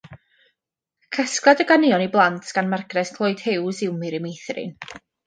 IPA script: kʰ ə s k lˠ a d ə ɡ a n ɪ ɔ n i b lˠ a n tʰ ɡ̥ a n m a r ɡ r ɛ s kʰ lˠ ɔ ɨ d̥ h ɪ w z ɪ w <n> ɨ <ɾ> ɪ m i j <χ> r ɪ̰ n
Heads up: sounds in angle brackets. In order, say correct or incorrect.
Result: incorrect, correct, incorrect

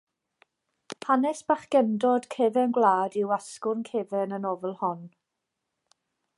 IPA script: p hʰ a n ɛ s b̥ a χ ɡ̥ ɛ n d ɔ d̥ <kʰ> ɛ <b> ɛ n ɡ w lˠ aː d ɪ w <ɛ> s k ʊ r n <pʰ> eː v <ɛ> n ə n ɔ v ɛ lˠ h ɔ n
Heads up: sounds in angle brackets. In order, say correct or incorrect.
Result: correct, incorrect, incorrect, incorrect, correct

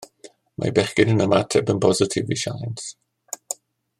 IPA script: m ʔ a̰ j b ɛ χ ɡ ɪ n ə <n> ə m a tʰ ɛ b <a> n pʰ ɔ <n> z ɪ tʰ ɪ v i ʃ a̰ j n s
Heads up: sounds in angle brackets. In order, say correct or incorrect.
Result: correct, incorrect, incorrect

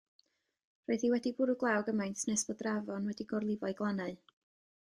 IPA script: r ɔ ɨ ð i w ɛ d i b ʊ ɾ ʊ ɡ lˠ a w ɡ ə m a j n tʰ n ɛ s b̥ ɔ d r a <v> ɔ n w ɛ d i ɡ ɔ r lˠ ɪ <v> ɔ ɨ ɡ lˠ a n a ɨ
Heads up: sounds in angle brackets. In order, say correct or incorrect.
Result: correct, correct

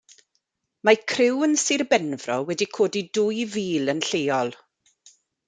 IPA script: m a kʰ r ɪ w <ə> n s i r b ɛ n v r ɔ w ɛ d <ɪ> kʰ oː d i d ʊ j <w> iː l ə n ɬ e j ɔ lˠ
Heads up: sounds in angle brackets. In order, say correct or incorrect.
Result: correct, incorrect, incorrect

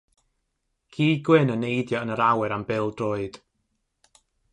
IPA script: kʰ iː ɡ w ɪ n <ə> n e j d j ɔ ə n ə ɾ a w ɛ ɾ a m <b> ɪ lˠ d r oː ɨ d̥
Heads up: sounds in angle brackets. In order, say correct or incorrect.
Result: correct, correct

